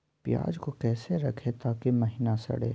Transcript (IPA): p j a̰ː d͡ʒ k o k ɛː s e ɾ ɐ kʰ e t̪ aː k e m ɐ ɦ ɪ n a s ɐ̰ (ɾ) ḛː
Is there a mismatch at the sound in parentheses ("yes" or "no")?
yes